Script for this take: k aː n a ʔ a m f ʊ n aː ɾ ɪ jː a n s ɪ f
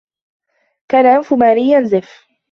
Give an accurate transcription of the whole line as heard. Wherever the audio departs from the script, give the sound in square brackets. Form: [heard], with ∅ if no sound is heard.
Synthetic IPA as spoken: k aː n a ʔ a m f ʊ [m] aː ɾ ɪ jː a n [z] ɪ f